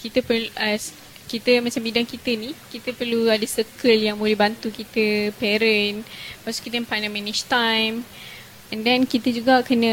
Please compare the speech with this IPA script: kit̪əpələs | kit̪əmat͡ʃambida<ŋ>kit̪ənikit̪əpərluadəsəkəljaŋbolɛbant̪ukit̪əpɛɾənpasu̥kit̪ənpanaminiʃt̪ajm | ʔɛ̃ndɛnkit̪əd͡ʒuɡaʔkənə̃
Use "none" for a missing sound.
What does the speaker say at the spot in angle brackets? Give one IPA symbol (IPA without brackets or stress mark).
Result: ŋ